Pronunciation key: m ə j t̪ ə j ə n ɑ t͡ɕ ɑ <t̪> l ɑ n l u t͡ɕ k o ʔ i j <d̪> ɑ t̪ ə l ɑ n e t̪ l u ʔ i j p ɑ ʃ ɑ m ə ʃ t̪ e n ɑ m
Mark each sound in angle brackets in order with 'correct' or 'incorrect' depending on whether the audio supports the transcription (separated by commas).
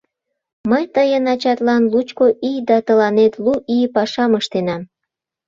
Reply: correct, correct